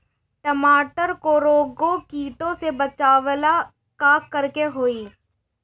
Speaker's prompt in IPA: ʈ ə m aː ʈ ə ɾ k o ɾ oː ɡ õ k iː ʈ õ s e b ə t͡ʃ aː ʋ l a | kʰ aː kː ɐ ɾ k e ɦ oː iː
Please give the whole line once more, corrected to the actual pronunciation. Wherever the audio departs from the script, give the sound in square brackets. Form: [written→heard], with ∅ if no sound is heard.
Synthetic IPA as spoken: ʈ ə m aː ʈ ə ɾ k o ɾ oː ɡ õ k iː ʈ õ s e b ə t͡ʃ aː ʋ l a | [kʰ→k] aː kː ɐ ɾ k e ɦ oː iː